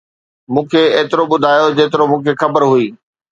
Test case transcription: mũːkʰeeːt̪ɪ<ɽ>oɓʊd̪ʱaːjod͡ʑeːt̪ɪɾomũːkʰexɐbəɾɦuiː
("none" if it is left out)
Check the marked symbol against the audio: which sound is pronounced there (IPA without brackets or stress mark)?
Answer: ɾ